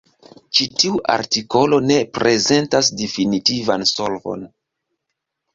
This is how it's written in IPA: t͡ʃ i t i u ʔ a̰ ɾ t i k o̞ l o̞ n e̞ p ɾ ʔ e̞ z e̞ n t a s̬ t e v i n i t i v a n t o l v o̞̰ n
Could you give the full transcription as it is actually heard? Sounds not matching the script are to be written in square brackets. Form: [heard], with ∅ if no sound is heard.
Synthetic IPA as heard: t͡ʃ i t i u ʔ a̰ ɾ t i k o̞ l o̞ n e̞ p ɾ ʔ e̞ z e̞ n t a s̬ [d] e [f] i n i t i v a n [s] o l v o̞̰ n